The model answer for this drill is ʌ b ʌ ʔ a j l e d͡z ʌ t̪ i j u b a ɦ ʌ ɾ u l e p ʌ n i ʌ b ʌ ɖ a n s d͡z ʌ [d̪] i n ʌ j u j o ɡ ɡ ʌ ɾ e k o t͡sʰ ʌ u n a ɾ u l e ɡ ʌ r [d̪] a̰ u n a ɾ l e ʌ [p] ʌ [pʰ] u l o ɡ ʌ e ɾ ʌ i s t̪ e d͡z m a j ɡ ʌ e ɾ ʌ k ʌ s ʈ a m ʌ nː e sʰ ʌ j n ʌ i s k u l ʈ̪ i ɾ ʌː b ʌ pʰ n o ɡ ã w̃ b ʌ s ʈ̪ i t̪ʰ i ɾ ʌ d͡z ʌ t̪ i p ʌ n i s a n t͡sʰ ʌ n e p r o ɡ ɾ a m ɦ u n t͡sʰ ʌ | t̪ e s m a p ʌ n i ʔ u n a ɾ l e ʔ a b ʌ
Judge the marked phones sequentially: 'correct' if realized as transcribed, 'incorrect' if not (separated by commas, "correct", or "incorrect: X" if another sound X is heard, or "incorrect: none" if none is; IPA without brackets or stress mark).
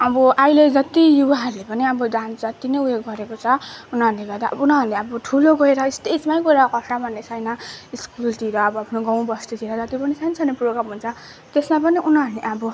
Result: incorrect: t̪, correct, incorrect: b, incorrect: ʈʰ